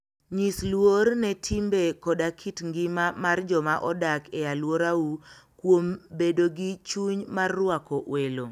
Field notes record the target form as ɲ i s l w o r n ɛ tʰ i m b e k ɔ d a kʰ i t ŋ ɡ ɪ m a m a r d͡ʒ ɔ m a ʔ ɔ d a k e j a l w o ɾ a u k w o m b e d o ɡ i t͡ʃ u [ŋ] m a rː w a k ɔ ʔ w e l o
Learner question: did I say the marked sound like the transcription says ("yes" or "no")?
no